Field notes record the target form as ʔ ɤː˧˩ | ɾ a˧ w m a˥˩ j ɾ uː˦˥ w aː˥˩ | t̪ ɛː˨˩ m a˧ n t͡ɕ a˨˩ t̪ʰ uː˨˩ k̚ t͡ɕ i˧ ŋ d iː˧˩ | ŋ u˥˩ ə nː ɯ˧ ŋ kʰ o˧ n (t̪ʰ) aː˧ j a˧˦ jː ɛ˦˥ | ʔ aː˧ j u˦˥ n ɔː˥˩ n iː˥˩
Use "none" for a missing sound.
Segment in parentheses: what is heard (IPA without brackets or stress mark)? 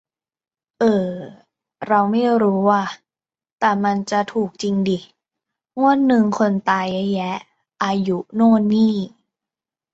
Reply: t̪